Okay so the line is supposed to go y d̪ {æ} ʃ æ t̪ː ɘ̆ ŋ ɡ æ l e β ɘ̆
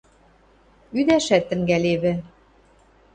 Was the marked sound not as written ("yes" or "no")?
no